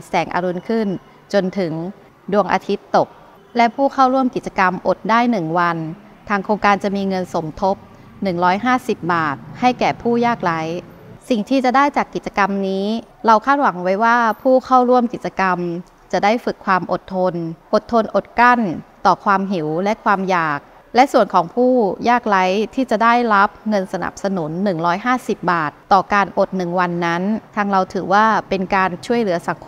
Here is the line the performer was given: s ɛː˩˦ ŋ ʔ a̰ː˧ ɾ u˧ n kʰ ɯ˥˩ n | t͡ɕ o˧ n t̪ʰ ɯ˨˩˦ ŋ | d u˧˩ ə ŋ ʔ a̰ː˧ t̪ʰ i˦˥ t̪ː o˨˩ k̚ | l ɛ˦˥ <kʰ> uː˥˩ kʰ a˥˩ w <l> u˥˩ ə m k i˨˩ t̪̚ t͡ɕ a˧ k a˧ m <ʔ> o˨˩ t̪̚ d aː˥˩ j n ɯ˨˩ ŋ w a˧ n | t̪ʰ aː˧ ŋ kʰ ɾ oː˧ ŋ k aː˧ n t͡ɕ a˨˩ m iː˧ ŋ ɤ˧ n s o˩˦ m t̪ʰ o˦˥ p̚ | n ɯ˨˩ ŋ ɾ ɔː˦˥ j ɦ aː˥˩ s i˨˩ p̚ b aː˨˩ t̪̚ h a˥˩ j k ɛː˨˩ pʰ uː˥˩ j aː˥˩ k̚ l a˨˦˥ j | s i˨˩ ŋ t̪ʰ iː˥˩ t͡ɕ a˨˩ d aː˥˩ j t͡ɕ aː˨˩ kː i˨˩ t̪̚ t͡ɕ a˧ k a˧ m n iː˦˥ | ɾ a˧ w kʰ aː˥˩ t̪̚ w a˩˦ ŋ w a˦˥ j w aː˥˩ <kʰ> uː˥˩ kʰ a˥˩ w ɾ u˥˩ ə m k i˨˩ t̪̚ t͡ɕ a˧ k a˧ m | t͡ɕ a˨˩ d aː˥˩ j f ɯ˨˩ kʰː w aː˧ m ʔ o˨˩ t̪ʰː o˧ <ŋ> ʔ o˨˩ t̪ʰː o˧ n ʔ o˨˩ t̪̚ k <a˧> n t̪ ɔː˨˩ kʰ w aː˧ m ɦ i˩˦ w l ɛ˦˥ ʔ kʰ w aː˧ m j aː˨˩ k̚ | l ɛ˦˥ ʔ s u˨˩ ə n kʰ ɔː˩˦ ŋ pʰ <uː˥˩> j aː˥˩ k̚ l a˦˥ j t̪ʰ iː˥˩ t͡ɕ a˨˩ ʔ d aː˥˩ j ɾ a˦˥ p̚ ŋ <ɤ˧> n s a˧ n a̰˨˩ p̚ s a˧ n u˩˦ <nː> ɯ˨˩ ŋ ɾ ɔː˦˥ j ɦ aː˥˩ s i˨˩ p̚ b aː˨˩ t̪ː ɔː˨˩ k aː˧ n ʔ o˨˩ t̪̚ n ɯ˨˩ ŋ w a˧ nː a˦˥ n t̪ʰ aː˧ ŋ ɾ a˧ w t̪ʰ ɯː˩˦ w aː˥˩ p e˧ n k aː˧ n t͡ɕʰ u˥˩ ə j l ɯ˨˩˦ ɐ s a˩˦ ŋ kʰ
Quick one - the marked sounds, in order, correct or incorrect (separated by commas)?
incorrect, incorrect, correct, incorrect, incorrect, incorrect, correct, correct, correct